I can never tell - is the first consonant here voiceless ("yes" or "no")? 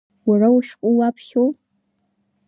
no